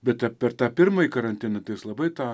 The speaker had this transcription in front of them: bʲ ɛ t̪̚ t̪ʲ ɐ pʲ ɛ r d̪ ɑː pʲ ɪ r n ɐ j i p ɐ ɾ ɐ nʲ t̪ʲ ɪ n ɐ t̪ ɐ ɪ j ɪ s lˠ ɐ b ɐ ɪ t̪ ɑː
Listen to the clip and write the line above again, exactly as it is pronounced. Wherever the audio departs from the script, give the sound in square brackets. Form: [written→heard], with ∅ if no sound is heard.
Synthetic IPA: bʲ ɛ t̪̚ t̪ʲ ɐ pʲ ɛ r [d̪→t̪] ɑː pʲ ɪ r [n→m] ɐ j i [p→k] ɐ ɾ ɐ nʲ t̪ʲ ɪ n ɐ t̪ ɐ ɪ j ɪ s lˠ ɐ b ɐ ɪ t̪ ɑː